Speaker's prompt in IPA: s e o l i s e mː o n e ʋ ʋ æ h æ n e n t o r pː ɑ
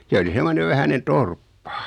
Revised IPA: s e o l i s e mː o n e ʋ ʋ æ h æ n e n t o r pː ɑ